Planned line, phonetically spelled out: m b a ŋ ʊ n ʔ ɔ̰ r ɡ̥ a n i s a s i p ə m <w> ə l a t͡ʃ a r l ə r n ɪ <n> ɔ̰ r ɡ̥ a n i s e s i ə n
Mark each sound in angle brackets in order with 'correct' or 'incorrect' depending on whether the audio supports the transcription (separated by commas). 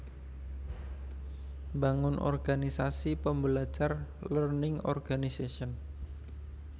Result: incorrect, incorrect